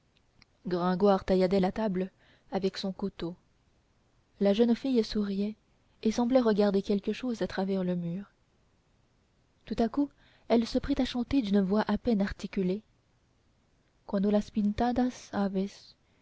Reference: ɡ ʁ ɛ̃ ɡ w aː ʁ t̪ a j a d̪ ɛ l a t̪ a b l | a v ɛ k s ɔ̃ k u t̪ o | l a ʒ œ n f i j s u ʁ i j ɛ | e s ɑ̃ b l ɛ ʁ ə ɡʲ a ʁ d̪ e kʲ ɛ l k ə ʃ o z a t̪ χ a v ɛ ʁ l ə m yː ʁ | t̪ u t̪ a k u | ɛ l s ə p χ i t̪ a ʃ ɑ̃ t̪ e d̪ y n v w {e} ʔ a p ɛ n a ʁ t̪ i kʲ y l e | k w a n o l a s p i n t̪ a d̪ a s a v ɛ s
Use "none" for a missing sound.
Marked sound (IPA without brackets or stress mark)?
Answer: a